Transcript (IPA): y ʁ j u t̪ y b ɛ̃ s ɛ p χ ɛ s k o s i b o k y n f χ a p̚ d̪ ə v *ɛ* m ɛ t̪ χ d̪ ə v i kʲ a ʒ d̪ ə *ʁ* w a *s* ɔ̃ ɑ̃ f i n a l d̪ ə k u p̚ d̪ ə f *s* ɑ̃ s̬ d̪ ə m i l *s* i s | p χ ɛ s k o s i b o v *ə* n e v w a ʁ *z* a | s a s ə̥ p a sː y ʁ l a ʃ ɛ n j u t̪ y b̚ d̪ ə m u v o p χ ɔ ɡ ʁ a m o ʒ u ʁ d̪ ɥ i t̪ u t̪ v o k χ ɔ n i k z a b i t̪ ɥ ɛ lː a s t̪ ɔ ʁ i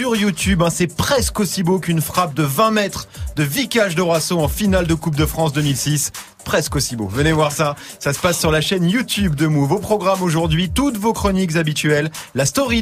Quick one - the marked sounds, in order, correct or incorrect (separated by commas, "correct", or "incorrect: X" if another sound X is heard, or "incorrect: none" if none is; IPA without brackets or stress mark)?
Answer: incorrect: ɛ̃, correct, correct, incorrect: χ, correct, correct, incorrect: s